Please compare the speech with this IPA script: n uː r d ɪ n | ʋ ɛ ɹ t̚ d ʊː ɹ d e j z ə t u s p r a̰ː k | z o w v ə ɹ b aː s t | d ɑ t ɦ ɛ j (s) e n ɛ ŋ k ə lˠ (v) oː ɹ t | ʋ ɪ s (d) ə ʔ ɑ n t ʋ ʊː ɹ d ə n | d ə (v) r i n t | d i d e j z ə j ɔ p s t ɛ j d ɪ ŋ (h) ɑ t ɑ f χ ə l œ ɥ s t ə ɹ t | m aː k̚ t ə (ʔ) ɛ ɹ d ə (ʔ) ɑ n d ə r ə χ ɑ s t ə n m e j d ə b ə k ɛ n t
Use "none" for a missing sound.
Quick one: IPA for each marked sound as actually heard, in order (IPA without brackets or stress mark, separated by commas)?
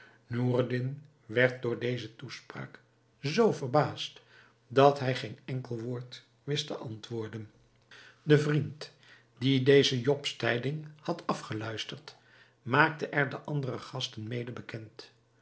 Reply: χ, ʋ, t, v, h, ʔ, ʔ